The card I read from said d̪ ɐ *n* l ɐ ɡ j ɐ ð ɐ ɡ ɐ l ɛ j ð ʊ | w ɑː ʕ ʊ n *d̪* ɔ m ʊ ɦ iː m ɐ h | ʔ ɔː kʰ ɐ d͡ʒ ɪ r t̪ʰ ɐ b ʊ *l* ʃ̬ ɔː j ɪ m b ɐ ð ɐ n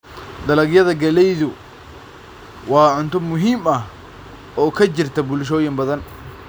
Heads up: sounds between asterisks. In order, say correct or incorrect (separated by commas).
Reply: incorrect, incorrect, correct